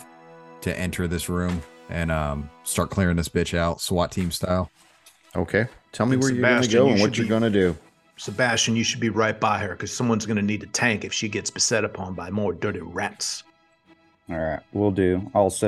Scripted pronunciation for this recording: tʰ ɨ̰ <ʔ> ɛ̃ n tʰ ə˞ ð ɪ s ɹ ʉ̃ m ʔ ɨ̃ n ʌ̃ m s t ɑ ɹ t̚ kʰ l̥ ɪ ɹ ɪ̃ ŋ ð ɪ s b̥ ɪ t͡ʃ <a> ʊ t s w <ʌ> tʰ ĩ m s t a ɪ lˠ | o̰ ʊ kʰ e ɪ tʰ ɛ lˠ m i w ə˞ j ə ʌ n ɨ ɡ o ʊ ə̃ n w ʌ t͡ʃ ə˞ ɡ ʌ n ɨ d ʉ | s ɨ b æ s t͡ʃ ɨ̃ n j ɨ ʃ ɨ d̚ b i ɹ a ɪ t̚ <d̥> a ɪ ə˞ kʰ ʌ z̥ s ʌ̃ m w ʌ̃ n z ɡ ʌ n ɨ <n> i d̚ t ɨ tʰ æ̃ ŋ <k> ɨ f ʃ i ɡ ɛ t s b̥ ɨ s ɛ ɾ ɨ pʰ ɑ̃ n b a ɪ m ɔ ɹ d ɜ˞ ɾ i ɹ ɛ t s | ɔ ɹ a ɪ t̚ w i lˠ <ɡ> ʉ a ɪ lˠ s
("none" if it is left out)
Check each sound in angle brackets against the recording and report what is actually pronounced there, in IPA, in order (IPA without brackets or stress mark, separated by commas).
ʔ, a, ɑ, b̥, n, k, d